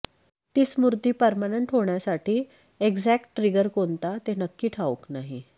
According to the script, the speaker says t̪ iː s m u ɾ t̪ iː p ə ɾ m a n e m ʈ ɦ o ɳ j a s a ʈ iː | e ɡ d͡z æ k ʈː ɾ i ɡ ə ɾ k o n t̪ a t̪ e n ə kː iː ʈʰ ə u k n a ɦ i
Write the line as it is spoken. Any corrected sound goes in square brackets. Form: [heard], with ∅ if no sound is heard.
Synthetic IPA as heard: t̪ iː s m u ɾ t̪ iː p ə ɾ m a n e [ɳ] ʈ ɦ o ɳ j a s a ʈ iː | e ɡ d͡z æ k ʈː ɾ i ɡ ə ɾ k o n t̪ a t̪ e n ə kː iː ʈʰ [a] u k n a ɦ i